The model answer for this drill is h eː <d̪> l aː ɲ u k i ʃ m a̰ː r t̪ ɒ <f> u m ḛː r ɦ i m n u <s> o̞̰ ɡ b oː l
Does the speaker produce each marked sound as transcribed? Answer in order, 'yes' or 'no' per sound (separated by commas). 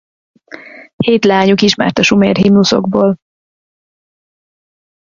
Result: no, no, yes